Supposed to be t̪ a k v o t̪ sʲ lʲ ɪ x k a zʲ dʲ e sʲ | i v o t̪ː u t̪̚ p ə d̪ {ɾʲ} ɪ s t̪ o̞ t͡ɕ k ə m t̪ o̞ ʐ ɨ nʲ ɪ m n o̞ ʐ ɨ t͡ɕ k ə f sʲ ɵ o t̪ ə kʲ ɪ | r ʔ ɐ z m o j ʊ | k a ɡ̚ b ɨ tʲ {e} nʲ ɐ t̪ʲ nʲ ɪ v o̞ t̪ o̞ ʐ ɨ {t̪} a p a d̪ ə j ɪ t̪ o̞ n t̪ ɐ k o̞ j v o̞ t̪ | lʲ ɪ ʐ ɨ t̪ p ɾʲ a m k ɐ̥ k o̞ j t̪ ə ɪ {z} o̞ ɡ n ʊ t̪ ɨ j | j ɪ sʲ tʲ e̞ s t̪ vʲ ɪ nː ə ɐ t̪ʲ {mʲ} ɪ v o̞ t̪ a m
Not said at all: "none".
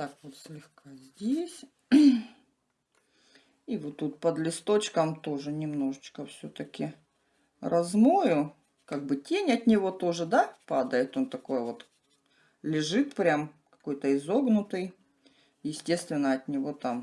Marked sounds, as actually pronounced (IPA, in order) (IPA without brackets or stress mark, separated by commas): lʲ, e, d̪, z, nʲ